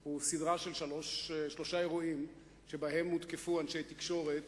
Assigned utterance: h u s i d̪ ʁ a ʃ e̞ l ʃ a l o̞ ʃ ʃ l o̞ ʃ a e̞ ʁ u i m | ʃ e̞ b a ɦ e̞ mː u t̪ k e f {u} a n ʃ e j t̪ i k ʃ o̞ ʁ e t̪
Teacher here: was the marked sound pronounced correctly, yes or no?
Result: yes